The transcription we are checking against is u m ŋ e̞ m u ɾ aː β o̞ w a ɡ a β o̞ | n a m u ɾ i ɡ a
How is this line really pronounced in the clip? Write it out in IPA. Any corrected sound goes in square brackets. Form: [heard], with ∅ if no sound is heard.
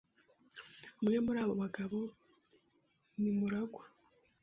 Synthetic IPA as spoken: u m ŋ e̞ m u ɾ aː β o̞ [β] a ɡ a β o̞ | n [i] m u ɾ [a] ɡ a

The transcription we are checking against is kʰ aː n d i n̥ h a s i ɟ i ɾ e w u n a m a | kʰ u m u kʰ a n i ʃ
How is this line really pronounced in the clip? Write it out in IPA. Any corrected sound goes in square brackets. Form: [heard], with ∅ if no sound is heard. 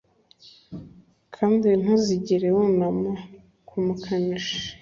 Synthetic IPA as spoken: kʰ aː n d i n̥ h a [z] i ɟ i ɾ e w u n a m a | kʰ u m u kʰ a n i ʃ

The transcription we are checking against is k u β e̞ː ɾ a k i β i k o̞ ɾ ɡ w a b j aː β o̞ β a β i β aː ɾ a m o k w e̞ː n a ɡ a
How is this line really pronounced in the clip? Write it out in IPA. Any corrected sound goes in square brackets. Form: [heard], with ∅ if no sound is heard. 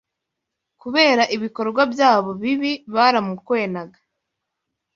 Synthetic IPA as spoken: k u β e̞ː ɾ a [ʔ] i β i k o̞ ɾ ɡ w a b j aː β o̞ β [i] β i β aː ɾ a m [u] k w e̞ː n a ɡ a

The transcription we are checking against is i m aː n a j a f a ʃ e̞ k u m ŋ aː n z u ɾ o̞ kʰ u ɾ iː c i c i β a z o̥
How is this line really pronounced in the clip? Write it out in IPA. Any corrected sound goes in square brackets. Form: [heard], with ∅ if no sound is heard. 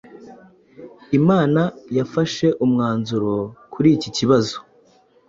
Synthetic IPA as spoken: i m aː n a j a f a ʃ e̞ [ʔ] u m ŋ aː n z u ɾ o̞ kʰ u ɾ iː c i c i β a z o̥

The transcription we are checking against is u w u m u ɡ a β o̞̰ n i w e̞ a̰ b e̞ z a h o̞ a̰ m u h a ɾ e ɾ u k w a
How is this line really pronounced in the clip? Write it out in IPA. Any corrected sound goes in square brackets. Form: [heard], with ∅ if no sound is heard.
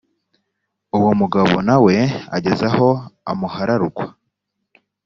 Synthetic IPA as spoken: u w [o] m u ɡ a β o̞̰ n [a] w e̞ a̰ [ɟ] e̞ z a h o̞ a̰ m u h a ɾ [a] ɾ u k w a

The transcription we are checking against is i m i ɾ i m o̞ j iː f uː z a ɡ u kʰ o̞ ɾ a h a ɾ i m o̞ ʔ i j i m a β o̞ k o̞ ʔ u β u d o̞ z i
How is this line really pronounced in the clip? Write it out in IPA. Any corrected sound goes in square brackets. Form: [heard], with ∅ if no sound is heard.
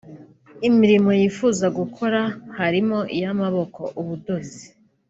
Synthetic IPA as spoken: i m i ɾ i m o̞ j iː f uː z a ɡ u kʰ o̞ ɾ a h a ɾ i m o̞ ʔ i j [a] m a β o̞ k o̞ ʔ u β u d o̞ z i

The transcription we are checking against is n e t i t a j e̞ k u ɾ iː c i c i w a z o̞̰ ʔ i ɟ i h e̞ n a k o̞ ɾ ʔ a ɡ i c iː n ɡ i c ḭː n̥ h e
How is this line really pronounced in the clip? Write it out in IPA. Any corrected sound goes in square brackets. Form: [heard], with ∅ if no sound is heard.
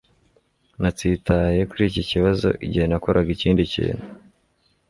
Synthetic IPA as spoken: n [a] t i t a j e̞ k u ɾ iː c i c i [β] a z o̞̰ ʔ i ɟ i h e̞ n a k o̞ ɾ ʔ a ɡ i c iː n [d] i c ḭː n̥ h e

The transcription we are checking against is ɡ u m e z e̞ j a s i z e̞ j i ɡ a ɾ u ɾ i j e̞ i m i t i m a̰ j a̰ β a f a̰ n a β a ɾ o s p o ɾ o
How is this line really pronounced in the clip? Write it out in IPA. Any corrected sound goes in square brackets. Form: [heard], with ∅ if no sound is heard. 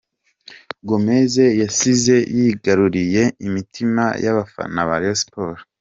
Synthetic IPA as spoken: ɡ [o] m e z e̞ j a s i z e̞ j i ɡ a ɾ u ɾ i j e̞ i m i t i m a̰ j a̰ β a f a̰ n a β a ɾ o s p o ɾ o

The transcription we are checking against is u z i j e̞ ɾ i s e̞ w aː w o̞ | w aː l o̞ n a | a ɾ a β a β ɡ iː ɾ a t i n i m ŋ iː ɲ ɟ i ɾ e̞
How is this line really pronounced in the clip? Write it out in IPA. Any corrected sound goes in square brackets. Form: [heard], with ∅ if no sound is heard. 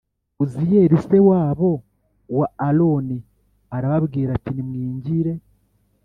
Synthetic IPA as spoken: u z i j e̞ ɾ i s e̞ w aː [β] o̞ | w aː l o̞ n [i] | a ɾ a β a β ɡ iː ɾ a t i n i m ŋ iː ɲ ɟ i ɾ e̞

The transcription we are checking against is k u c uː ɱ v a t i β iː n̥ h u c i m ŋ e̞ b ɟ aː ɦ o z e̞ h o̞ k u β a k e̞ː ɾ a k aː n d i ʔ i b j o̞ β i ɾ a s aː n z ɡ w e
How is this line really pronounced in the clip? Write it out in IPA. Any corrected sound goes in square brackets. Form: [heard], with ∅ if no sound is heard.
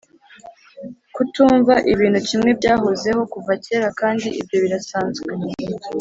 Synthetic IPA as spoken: k u [t] uː ɱ v a [ʔ] i β iː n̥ h u c i m ŋ e̞ b ɟ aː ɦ o z e̞ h o̞ k u [v] a [c] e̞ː ɾ a k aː n d i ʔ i b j o̞ β i ɾ a s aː n z ɡ w e

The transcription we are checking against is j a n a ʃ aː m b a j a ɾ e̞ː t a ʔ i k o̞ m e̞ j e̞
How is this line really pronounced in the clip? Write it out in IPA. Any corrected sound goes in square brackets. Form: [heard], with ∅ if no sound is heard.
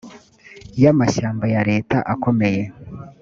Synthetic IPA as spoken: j a [m] a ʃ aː m b a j a ɾ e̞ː t a ʔ [a] k o̞ m e̞ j e̞

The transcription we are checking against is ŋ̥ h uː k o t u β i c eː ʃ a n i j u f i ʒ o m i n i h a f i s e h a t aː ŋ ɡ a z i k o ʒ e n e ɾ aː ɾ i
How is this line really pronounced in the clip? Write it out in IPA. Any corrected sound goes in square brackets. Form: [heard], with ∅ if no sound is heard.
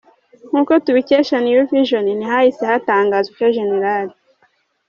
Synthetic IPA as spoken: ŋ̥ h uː k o t u β i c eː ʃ a n i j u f i ʒ o [n] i n i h a [h] i s e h a t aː ŋ ɡ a z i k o ʒ e n e ɾ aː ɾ i

